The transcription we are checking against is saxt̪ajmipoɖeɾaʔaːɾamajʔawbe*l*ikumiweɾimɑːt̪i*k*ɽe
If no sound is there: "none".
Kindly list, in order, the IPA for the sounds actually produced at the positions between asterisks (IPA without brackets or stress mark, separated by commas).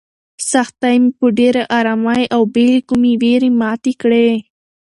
l, k